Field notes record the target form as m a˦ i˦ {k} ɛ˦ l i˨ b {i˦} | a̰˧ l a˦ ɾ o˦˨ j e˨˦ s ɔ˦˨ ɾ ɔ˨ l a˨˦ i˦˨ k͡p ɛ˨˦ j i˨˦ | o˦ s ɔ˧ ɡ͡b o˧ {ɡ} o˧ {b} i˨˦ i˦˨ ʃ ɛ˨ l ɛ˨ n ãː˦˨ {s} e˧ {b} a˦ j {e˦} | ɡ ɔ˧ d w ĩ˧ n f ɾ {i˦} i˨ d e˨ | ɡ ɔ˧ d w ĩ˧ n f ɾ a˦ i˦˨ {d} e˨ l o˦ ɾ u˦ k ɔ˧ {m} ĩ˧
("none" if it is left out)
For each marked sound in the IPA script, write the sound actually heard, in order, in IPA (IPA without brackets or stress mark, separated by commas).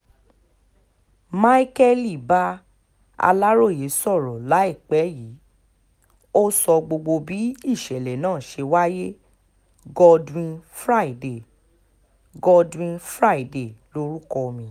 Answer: k, a˦, ɡ͡b, b, ʃ, w, e˦, a˦, d, m